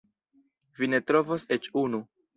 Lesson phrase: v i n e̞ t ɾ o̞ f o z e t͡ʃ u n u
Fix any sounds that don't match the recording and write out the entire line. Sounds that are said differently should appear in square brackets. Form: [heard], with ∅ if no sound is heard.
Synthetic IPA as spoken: v i n e̞ t ɾ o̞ [v] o [s] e t͡ʃ u n u